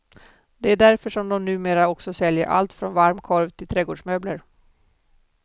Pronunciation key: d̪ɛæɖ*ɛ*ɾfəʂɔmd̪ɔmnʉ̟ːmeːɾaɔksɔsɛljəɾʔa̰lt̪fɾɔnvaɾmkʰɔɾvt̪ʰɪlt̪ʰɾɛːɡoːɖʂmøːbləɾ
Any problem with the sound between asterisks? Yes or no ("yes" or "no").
yes